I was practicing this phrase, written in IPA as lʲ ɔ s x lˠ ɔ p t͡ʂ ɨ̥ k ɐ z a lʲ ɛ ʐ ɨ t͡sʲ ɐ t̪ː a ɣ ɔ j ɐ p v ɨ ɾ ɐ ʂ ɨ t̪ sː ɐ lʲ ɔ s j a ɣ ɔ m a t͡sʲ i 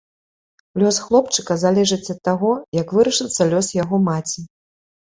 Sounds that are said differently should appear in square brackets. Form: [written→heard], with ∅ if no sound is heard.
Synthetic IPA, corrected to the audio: lʲ ɔ s x lˠ ɔ p t͡ʂ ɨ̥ k ɐ z a lʲ ɛ ʐ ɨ t͡sʲ ɐ t̪ː a ɣ ɔ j ɐ [p→k] v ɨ ɾ ɐ ʂ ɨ t̪ sː ɐ lʲ ɔ s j a ɣ ɔ m a t͡sʲ i